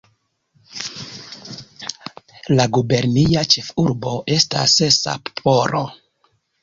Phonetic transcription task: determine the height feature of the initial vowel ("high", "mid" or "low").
low